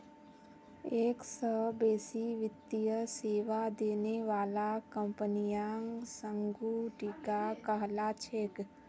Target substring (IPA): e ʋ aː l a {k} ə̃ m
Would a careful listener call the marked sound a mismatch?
no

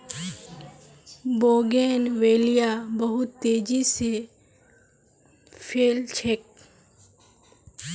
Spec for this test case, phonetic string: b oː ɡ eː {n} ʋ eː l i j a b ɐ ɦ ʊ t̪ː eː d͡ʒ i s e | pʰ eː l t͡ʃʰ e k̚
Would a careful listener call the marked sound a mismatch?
no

